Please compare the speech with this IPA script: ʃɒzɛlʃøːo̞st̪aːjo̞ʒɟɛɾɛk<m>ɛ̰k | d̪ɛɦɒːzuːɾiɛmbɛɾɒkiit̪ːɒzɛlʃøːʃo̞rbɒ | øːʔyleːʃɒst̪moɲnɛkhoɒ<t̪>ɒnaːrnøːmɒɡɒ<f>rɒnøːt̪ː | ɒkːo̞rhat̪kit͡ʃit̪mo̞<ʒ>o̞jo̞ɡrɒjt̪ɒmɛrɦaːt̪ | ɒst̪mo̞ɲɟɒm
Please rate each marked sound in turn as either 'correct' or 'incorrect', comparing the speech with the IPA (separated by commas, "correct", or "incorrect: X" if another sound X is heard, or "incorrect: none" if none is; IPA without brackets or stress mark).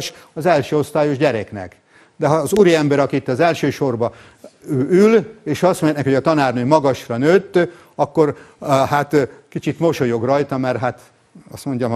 incorrect: n, correct, incorrect: ʃ, incorrect: ʃ